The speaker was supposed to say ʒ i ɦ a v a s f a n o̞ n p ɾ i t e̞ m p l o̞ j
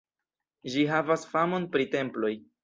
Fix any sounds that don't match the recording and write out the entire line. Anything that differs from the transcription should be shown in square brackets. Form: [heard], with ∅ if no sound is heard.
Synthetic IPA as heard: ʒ i ɦ a v a s f a [m] o̞ n p ɾ i t e̞ m p l o̞ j